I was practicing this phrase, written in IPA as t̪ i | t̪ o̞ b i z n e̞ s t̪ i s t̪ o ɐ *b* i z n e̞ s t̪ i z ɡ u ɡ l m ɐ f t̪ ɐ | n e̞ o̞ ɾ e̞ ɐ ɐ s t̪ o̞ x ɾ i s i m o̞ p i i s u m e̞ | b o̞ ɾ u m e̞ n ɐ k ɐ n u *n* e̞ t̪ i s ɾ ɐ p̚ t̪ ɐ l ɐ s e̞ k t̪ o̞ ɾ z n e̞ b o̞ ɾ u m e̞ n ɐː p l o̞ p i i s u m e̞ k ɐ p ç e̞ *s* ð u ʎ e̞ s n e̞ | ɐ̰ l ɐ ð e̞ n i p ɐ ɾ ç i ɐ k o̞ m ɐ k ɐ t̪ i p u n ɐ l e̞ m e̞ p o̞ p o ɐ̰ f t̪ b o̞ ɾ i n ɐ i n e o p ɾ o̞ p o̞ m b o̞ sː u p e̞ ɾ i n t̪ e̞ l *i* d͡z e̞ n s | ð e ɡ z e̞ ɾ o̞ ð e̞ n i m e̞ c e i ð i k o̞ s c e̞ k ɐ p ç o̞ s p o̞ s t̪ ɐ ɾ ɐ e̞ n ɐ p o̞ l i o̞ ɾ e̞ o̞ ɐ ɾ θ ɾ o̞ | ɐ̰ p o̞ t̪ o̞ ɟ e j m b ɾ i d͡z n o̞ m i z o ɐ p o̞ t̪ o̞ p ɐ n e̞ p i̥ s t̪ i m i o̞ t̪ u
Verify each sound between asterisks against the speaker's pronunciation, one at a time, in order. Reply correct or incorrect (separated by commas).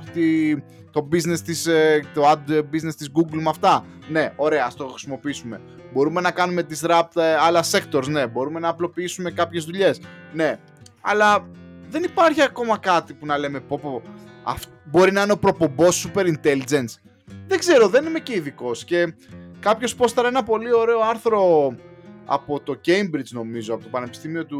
correct, incorrect, incorrect, correct